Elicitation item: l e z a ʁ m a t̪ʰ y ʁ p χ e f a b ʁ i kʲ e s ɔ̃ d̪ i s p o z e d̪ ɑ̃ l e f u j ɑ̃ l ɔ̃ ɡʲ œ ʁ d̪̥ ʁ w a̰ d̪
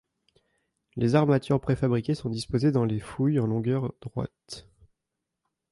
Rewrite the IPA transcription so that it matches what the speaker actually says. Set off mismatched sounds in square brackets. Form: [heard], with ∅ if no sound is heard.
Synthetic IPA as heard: l e z a ʁ m a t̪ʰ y ʁ p χ e f a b ʁ i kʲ e s ɔ̃ d̪ i s p o z e d̪ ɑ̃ l e f u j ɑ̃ l ɔ̃ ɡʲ œ ʁ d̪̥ ʁ w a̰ [t̪]

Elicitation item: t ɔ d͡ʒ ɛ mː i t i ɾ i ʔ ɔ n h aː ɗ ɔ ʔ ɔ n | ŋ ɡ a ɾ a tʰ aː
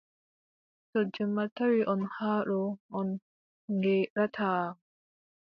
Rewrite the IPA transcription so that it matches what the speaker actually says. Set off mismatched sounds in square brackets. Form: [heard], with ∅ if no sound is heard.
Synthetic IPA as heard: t ɔ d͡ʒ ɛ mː [a] t [a] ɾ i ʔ ɔ n h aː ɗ ɔ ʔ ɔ n | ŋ ɡ [ɛ] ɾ a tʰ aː

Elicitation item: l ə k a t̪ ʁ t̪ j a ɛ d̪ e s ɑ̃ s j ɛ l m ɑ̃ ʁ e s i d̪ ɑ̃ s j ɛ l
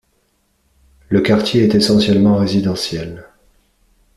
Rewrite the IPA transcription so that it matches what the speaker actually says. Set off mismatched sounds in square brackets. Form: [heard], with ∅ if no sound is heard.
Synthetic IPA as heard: l ə k a [∅] ʁ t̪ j [e] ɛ [t̪] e s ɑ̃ s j ɛ l m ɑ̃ ʁ e [z] i d̪ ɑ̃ s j ɛ l

